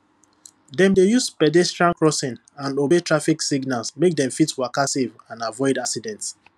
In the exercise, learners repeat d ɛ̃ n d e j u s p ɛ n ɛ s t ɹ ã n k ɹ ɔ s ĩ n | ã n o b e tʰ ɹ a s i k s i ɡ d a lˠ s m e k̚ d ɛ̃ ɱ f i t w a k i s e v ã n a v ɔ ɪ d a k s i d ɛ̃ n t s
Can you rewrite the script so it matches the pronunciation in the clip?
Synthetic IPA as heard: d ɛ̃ m d e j u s p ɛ d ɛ s t ɹ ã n k ɹ ɔ s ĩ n | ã n o b e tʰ ɹ a f i k s i ɡ n a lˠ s m e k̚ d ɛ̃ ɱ f i t w a k a s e v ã n a v ɔ ɪ d a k s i d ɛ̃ n t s